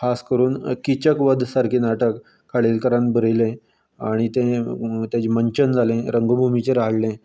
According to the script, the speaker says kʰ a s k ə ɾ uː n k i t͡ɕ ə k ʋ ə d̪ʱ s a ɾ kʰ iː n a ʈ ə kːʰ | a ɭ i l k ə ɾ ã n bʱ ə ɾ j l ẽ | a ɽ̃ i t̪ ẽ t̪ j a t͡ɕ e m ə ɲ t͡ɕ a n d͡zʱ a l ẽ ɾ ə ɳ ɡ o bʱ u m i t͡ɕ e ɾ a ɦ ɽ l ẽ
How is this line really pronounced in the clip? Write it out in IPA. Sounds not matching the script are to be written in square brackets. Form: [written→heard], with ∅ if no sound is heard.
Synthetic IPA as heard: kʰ a s k ə ɾ uː n k i t͡ɕ ə k ʋ ə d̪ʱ s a ɾ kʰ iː n a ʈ ə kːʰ | a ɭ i l k ə ɾ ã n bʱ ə ɾ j l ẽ | a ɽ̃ i t̪ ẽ t̪ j a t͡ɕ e m ə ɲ t͡ɕ [a→ə] n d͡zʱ a l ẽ ɾ ə [ɳ→ŋ] ɡ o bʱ u m i t͡ɕ e ɾ a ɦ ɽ l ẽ